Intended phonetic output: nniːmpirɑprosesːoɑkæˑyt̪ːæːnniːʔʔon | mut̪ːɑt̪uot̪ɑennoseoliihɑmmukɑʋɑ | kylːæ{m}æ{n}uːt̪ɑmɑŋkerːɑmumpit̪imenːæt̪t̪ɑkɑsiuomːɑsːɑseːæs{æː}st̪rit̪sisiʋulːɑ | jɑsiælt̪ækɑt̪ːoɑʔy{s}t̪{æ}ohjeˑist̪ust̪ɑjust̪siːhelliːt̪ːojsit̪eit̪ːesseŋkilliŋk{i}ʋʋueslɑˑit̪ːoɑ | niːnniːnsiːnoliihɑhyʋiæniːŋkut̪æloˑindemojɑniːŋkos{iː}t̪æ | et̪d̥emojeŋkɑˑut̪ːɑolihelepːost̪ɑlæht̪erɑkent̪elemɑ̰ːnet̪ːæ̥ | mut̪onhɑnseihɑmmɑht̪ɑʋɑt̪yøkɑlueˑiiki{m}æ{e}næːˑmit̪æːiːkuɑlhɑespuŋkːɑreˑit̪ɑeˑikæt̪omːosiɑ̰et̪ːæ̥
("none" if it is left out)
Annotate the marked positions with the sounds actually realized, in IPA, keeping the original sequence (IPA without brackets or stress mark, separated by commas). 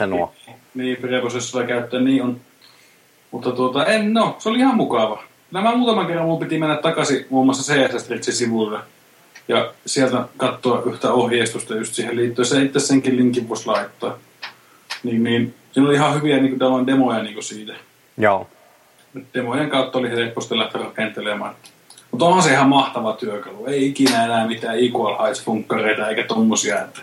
m, m, æ, h, æ, i, iː, n, e